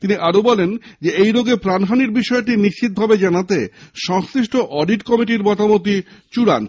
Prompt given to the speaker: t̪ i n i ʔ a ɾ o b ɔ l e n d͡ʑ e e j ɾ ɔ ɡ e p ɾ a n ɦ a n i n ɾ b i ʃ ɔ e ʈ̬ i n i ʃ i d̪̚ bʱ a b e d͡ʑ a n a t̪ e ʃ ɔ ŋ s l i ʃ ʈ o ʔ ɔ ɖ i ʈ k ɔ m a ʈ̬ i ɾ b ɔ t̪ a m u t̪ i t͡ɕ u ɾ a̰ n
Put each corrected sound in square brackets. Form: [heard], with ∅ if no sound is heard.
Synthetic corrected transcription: t̪ i n i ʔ a ɾ o b ɔ l e n d͡ʑ e e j ɾ [o] ɡ e p ɾ a n ɦ a n i [∅] ɾ b i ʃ ɔ e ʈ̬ i n i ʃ i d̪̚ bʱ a b e d͡ʑ a n a t̪ e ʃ ɔ ŋ s [ɾ] i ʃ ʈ o ʔ ɔ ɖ i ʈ k ɔ m [i] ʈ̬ i ɾ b ɔ t̪ a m [o] t̪ i t͡ɕ u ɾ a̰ n